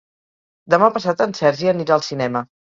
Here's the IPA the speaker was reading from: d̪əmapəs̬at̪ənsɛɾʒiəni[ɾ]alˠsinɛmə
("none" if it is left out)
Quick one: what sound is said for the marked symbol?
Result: ɾ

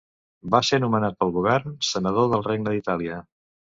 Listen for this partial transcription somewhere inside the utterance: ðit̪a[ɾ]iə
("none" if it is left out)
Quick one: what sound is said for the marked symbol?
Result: l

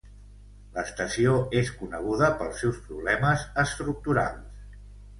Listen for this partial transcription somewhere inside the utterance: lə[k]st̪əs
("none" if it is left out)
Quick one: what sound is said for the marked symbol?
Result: none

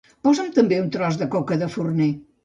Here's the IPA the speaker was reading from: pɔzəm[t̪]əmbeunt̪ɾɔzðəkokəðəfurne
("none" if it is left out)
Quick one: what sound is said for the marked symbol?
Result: t̪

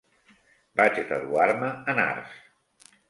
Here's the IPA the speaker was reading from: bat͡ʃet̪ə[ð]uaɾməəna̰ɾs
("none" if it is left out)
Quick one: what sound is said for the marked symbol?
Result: ð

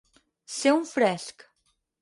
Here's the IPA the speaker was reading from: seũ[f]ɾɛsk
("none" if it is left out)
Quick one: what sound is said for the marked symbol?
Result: f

